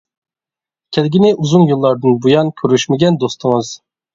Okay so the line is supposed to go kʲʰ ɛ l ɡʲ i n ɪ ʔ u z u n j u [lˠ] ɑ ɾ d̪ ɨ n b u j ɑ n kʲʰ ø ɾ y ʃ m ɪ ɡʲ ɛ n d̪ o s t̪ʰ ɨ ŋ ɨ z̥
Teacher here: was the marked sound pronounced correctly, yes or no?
no